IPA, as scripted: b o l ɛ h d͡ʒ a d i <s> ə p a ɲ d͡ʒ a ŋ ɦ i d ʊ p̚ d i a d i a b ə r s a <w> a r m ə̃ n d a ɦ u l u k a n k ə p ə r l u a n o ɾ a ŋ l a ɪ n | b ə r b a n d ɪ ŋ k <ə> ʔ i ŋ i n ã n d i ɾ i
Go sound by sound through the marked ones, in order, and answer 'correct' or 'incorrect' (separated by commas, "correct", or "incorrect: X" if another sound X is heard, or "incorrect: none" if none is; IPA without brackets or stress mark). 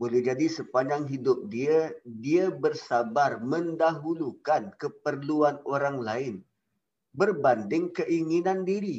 correct, incorrect: b, correct